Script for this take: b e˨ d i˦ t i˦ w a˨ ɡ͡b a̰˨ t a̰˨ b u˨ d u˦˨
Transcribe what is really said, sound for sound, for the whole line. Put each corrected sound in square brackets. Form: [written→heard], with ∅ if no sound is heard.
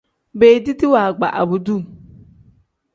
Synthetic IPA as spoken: b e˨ d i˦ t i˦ w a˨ ɡ͡b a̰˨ [t→ʔ] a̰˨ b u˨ d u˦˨